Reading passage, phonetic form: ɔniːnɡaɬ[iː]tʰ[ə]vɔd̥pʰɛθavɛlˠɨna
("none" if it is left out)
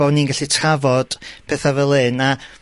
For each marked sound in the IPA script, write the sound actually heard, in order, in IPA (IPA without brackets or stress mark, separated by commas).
i, a